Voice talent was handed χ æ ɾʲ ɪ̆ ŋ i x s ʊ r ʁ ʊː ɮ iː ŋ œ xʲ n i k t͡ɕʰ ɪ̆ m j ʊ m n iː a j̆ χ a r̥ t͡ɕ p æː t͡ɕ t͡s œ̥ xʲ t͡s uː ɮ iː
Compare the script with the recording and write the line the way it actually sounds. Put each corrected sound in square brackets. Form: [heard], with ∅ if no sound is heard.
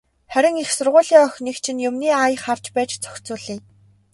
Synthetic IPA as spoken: χ æ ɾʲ ɪ̆ ŋ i x s ʊ r ʁ ʊː ɮ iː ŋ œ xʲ n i k t͡ɕʰ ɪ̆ [n] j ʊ m n iː a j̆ χ a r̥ t͡ɕ p æː t͡ɕ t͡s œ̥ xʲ t͡s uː ɮ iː